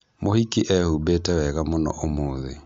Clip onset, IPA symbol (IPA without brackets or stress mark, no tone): m